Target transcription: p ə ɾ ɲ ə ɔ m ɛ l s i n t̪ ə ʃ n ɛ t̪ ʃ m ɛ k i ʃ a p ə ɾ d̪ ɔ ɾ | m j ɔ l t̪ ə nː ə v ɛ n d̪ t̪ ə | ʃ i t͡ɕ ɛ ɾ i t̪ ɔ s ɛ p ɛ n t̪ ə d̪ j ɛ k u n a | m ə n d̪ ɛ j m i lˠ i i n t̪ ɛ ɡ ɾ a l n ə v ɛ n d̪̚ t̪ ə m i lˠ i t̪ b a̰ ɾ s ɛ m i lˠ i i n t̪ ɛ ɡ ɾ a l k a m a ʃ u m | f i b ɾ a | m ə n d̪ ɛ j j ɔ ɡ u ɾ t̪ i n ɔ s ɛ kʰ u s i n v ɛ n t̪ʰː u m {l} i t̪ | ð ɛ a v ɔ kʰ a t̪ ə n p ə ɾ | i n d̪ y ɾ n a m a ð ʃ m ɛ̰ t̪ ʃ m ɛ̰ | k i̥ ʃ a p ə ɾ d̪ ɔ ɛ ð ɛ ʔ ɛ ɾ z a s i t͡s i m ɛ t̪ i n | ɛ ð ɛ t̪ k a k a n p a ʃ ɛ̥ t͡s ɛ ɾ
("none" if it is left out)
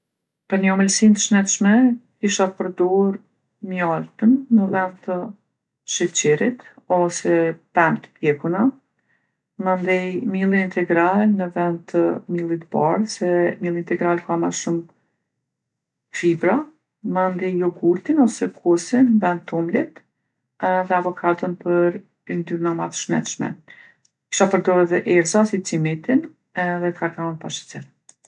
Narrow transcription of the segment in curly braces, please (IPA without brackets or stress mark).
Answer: l